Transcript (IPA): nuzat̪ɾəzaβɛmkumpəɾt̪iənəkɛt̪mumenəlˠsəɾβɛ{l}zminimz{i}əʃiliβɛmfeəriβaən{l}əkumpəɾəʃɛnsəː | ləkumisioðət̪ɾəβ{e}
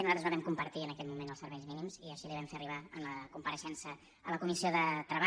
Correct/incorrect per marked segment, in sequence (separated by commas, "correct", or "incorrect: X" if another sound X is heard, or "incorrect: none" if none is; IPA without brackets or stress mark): incorrect: ʎ, correct, correct, incorrect: a